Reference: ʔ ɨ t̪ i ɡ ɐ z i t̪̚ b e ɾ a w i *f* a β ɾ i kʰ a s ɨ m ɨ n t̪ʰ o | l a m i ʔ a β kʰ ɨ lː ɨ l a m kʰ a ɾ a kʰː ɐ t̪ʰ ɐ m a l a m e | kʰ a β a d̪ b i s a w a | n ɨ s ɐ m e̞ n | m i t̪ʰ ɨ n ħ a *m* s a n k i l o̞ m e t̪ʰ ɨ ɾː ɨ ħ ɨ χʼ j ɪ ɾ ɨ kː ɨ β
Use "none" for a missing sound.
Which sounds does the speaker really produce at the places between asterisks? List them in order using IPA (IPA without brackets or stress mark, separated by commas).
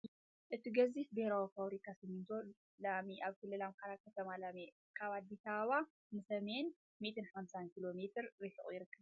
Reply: f, m